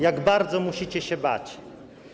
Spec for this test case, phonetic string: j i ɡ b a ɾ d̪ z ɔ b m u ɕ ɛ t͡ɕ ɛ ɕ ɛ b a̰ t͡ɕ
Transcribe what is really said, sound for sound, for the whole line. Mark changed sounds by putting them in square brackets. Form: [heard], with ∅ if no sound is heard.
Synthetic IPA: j [a] ɡ b a ɾ d̪ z ɔ [∅] m u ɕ [i] t͡ɕ ɛ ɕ ɛ b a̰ t͡ɕ